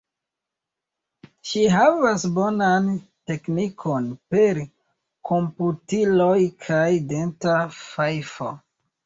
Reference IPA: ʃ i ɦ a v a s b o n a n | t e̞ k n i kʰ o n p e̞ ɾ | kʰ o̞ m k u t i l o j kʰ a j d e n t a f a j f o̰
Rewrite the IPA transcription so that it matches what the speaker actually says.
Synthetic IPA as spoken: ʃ i ɦ a v a s b o n a n | t e̞ k n i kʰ o n p e̞ ɾ | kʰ o̞ m p u t i l o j kʰ a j d e n t a f a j f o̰